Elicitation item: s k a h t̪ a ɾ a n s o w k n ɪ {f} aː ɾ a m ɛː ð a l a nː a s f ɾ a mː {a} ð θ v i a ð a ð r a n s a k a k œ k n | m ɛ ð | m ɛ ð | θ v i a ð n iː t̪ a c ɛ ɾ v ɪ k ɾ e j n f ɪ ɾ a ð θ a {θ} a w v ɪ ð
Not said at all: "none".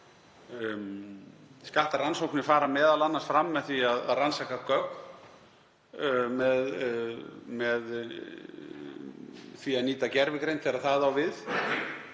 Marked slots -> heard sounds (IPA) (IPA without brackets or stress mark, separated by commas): f, ɛ, ð